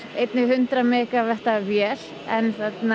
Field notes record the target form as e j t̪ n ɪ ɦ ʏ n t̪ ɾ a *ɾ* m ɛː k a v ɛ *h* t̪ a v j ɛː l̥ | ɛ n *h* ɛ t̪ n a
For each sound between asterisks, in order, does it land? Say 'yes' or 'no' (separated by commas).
no, yes, no